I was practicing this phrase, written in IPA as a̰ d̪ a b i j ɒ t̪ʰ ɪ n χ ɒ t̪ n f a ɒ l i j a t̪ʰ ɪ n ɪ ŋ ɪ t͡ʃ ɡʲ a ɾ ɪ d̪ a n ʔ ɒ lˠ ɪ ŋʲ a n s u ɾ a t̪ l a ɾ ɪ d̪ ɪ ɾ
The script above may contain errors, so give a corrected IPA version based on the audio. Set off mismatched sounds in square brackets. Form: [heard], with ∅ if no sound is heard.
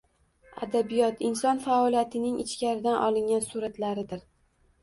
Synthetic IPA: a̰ d̪ a b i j ɒ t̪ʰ ɪ n [s] ɒ [∅] n f a ɒ l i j a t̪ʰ ɪ n ɪ ŋ ɪ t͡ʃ [kʲ] a ɾ ɪ d̪ a n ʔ ɒ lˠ ɪ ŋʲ a n s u ɾ a t̪ l a ɾ ɪ d̪ ɪ ɾ